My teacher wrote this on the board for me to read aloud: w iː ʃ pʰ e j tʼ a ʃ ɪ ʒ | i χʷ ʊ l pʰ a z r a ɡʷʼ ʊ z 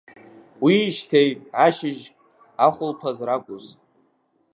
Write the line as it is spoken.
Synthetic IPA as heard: w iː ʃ tʰ e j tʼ a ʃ ɪ ʒ | a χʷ ʊ l pʰ a z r a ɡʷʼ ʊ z